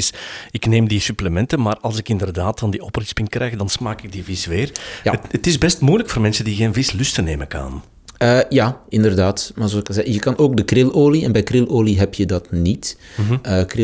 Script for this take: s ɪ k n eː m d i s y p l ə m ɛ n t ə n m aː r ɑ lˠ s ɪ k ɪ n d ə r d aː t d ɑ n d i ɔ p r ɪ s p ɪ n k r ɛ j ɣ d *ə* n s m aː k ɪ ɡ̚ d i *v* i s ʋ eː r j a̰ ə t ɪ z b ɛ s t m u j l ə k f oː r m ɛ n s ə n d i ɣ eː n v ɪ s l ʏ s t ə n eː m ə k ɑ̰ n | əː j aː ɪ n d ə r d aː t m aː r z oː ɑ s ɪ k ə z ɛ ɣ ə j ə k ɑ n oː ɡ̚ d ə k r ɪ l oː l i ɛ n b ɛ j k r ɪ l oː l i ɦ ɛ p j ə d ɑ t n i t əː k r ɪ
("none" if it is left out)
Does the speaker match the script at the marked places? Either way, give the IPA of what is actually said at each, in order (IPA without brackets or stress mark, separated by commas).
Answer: ɑ, v